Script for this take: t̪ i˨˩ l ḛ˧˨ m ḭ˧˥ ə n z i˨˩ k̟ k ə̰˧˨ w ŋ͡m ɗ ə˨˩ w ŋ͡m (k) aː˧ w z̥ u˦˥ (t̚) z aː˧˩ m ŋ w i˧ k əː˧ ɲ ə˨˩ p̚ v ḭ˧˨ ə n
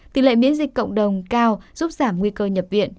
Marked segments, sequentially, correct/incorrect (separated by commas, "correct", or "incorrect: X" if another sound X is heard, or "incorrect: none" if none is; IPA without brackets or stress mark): correct, incorrect: p̚